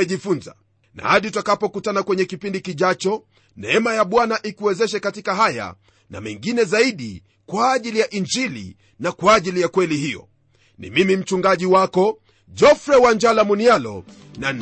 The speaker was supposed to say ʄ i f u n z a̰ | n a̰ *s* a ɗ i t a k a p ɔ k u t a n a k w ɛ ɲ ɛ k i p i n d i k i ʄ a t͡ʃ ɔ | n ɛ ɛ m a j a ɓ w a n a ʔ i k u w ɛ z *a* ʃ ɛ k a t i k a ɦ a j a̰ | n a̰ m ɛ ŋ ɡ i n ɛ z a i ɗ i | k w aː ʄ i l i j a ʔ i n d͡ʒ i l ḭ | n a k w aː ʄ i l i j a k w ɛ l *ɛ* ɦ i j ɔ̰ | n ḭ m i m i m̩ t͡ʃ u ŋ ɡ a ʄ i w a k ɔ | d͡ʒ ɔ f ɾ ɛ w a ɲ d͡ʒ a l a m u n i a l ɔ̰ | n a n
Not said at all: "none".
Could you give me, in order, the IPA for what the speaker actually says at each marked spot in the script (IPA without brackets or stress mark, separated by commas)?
h, ɛ, i